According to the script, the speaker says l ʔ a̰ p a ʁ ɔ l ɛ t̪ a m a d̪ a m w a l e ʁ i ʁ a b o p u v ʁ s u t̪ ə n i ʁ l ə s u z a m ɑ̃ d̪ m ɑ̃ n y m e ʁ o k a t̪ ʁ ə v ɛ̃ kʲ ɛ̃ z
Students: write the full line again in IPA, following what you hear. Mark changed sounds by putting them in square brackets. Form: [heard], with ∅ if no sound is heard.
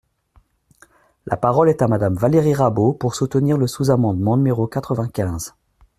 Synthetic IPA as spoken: l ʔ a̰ p a ʁ ɔ l ɛ t̪ a m a d̪ a m [v] a l e ʁ i ʁ a b o p u [∅] ʁ s u t̪ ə n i ʁ l ə s u z a m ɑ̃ d̪ m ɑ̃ n y m e ʁ o k a t̪ [χ] ə v ɛ̃ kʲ ɛ̃ z